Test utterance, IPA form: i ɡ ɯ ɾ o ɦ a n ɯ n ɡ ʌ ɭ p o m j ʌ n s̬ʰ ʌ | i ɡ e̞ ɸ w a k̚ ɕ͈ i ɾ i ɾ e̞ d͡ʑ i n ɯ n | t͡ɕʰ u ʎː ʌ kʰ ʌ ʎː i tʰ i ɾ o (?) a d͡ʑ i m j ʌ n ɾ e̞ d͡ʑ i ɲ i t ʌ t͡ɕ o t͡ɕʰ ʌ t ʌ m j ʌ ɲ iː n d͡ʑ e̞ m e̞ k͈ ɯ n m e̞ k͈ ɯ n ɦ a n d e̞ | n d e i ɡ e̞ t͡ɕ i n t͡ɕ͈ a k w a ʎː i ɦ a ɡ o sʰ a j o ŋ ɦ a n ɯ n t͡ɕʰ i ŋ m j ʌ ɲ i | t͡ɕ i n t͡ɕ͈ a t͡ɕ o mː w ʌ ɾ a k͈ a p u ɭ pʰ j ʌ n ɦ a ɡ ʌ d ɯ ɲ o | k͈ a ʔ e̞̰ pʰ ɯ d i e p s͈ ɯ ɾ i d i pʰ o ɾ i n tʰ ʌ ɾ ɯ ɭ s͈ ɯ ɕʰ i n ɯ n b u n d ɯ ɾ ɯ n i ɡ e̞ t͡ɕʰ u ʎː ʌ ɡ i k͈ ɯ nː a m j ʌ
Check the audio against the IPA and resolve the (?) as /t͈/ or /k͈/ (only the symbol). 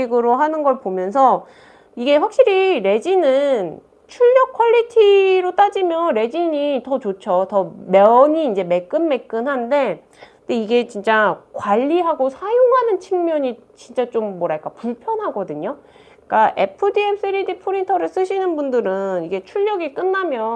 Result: t͈